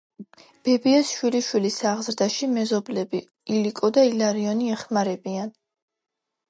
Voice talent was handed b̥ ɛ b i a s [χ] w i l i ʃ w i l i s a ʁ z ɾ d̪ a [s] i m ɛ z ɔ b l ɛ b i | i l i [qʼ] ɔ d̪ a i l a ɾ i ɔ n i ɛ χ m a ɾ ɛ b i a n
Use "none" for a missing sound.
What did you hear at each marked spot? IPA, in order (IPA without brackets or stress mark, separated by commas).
ʃ, ʃ, kʼ